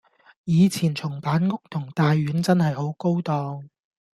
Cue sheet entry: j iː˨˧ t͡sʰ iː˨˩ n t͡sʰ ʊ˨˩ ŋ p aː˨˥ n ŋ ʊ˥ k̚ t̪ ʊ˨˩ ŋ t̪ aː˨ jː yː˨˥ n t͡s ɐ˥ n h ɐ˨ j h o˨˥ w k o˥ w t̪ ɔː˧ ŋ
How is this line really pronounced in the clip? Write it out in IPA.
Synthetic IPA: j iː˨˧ t͡sʰ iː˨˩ n t͡sʰ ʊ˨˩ ŋ p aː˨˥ n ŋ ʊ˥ k̚ t̪ʰ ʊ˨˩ ŋ t̪ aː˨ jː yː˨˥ n t͡s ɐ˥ n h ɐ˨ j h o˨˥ w k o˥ w t̪ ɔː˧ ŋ

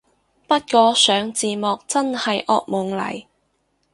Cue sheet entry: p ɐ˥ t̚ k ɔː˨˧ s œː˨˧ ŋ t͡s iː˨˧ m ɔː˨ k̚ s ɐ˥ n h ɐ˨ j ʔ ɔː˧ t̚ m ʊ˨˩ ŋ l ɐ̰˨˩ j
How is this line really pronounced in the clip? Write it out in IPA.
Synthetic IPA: p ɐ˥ t̚ k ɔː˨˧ s œː˨˧ ŋ t͡s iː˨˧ m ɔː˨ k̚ t͡s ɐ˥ n h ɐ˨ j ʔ ɔː˧ k̚ m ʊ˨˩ ŋ l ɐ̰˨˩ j

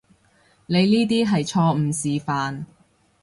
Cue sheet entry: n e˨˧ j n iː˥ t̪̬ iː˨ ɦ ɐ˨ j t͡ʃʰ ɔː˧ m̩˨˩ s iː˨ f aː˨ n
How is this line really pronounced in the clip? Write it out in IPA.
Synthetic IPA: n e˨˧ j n iː˥ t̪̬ iː˥ ɦ ɐ˨ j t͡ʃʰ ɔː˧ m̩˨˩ s iː˨ f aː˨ n

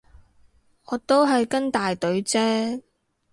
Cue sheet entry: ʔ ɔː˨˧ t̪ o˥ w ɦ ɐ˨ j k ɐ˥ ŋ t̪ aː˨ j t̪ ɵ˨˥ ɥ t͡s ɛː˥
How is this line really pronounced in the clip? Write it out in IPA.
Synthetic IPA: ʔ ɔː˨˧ t̪ o˥ w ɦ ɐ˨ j k ɐ˥ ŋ t̪ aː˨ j t̪ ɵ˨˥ ɥ t͡s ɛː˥

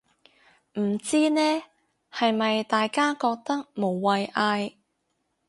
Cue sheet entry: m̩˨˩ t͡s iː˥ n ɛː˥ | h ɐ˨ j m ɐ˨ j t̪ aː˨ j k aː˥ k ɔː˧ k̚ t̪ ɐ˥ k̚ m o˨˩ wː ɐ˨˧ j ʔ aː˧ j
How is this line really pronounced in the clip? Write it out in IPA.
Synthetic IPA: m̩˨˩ t͡s iː˥ n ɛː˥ | h ɐ˨ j m ɐ˨ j t̪ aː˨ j k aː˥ k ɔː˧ k̚ t̪ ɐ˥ k̚ m o˨˩ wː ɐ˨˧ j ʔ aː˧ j

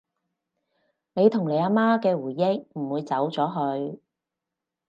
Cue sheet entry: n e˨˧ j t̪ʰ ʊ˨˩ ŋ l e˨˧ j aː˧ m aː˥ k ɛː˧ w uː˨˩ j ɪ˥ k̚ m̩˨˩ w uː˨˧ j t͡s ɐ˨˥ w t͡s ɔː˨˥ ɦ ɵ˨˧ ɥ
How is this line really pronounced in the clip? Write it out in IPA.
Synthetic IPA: n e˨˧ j t̪ʰ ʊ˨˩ ŋ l e˨˧ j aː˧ m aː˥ k ɛː˧ w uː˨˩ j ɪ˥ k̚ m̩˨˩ w uː˨˧ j t͡s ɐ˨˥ w t͡s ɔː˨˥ ɦ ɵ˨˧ ɥ

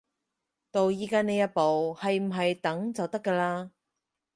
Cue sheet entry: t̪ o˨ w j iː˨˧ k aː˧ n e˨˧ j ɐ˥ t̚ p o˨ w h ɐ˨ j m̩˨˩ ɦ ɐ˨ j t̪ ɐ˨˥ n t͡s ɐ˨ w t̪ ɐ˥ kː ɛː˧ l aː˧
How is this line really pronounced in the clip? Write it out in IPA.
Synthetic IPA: t̪ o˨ w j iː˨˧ k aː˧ n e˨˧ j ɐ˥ t̚ p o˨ w h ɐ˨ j m̩˨˩ ɦ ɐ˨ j t̪ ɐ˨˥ ŋ t͡s ɐ˨ w t̪ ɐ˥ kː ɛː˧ l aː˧

